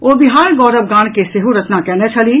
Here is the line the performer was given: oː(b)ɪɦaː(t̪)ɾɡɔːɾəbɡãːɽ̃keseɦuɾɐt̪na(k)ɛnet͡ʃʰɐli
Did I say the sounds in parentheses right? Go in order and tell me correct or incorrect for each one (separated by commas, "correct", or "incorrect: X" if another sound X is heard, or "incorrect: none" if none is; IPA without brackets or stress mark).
correct, incorrect: none, correct